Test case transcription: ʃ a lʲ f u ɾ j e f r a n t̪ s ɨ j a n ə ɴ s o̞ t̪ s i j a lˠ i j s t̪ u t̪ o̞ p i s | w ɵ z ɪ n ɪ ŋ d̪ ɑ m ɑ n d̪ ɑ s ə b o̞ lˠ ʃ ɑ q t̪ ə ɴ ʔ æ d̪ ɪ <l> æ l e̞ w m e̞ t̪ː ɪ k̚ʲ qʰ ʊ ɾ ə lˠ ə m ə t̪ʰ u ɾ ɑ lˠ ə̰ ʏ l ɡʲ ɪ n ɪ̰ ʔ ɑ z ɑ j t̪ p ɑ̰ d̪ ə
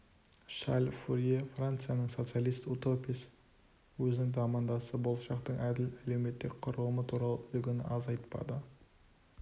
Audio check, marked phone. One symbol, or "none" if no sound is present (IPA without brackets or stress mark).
l